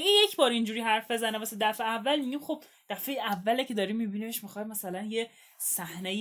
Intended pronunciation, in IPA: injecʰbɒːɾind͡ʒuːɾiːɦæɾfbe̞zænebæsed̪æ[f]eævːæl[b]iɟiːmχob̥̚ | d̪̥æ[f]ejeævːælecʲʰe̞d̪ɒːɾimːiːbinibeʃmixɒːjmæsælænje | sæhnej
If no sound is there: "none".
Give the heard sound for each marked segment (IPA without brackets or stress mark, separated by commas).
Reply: f, m, f